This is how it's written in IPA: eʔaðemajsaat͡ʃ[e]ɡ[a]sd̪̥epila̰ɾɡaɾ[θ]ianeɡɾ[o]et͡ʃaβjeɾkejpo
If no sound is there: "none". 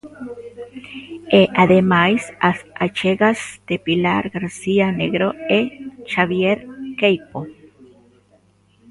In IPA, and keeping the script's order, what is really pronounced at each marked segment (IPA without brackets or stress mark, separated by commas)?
e, a, s, o